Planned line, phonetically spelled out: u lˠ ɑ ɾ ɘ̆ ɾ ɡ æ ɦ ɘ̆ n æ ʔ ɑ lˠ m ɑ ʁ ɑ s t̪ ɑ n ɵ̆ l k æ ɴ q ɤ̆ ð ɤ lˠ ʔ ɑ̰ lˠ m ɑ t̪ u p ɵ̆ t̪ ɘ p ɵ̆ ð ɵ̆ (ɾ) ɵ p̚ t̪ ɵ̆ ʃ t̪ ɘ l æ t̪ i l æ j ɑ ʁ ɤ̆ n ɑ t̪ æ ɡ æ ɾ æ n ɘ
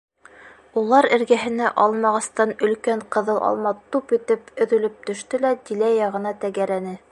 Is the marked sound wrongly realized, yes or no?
yes